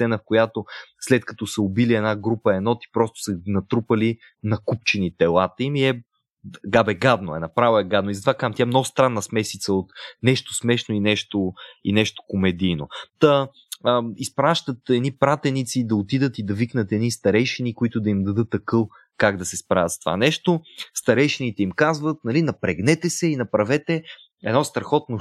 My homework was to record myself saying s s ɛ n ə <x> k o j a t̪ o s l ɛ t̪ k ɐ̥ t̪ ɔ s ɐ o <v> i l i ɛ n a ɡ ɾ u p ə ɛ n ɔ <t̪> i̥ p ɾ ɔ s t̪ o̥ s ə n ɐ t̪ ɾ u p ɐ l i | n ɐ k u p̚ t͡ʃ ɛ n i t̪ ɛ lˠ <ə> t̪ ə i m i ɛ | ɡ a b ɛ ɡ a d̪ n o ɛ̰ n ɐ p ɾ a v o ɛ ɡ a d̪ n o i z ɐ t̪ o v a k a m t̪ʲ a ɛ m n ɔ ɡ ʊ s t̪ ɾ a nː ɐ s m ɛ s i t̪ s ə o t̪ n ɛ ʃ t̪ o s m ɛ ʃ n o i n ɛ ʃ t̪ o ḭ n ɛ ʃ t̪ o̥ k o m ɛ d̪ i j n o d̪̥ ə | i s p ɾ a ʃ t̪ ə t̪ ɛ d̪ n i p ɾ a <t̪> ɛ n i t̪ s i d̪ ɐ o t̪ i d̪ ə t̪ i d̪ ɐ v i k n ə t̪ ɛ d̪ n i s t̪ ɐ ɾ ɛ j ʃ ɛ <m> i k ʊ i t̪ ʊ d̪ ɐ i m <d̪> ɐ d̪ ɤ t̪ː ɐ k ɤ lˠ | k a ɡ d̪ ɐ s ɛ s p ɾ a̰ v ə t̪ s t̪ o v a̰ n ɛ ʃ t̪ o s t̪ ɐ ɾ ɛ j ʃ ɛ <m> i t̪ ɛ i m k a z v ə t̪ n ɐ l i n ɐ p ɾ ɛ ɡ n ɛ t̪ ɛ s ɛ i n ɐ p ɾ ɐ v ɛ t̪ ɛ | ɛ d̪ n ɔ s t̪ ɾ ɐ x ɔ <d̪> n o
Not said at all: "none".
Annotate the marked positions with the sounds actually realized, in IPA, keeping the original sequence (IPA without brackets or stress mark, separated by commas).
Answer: f, b, t̪, a, t̪, n, d̪, n, t̪